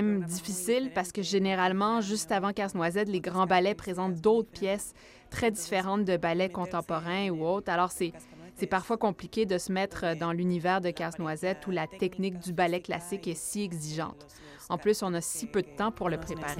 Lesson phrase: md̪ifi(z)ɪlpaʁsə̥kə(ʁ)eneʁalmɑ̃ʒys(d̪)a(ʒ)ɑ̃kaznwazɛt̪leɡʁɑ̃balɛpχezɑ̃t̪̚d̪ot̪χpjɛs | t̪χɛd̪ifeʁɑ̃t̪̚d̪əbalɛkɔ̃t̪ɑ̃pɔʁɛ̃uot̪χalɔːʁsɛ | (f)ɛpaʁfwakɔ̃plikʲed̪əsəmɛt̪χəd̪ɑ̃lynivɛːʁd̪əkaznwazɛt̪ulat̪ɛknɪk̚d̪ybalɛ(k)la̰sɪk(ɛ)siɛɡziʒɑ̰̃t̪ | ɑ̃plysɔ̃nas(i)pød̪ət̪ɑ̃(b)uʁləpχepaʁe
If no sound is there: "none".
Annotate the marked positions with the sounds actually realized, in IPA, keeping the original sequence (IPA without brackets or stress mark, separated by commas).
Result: s, ʒ, t̪, v, s, k, ɛ, i, p